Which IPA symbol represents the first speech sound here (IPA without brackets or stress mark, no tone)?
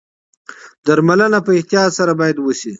d̪